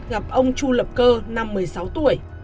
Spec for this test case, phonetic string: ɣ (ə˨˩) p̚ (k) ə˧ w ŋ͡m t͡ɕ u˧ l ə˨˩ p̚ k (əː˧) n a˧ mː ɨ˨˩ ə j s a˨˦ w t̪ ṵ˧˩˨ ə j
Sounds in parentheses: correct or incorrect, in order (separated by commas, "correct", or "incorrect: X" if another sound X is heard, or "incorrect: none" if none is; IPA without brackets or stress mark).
incorrect: a˨˩, incorrect: ʔ, correct